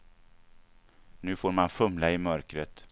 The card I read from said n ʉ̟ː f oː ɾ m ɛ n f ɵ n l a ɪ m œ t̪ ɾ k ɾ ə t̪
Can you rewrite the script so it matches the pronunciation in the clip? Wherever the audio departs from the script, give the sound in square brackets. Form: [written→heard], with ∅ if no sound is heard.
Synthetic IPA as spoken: n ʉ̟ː f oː ɾ m [ɛ→a] n f ɵ [n→m] l a ɪ m œ [t̪→∅] ɾ k ɾ ə t̪